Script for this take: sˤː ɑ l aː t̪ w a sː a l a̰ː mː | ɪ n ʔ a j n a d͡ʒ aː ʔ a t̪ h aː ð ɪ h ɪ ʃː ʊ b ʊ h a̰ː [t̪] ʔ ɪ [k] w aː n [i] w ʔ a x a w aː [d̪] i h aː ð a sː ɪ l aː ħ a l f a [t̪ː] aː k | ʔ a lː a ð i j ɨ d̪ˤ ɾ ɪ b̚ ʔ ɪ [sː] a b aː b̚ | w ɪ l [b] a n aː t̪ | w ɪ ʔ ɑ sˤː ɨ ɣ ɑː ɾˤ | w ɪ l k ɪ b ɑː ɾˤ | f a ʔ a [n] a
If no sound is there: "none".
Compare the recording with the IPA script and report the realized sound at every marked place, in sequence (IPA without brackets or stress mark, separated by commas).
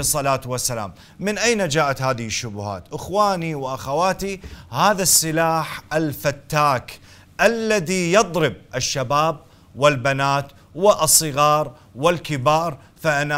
t̪, x, i, t̪, t̪ː, ʃː, b, n